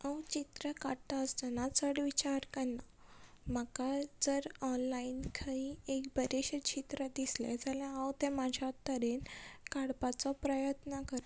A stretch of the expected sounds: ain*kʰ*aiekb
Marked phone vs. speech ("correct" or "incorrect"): correct